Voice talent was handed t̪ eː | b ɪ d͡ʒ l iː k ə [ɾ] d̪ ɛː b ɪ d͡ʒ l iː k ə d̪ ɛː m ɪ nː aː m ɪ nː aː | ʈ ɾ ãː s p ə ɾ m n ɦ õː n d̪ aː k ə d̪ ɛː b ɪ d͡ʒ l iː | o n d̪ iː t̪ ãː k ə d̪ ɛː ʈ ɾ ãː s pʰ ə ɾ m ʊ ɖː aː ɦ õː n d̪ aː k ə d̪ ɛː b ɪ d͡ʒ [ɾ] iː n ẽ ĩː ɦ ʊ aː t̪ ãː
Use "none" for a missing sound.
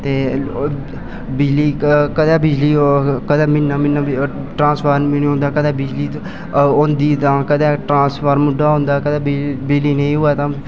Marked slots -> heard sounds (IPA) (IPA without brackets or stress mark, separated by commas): none, l